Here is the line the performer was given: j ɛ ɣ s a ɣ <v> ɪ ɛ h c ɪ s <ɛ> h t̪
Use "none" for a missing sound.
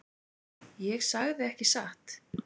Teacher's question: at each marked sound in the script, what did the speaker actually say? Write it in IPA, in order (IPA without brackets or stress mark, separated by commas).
ð, a